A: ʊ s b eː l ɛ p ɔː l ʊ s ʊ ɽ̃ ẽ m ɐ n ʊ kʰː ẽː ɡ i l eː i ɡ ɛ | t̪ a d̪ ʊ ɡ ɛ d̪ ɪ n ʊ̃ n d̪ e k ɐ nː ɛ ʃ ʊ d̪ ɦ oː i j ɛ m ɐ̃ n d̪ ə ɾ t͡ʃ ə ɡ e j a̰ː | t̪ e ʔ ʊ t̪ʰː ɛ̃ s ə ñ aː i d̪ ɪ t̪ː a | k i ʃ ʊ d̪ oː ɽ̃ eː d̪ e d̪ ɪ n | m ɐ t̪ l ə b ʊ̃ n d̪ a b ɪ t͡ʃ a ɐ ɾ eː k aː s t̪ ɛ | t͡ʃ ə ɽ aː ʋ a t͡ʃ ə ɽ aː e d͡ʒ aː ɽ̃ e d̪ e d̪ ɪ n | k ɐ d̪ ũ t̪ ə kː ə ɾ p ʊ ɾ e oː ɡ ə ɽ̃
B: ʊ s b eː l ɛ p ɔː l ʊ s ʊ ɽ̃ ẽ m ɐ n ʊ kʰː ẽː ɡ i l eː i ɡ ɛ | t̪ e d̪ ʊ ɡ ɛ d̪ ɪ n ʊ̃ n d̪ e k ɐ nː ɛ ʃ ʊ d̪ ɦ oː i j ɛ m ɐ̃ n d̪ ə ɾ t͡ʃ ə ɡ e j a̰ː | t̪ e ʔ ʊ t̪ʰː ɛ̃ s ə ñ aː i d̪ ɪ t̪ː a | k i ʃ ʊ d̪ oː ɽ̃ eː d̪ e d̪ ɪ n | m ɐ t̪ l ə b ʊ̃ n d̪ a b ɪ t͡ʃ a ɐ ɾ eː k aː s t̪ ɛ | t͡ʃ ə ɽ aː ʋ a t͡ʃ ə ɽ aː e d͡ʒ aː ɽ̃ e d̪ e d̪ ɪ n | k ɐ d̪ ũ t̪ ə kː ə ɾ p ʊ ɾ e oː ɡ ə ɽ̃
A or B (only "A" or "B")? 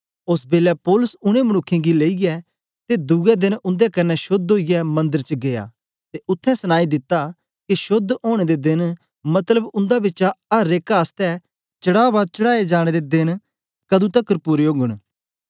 B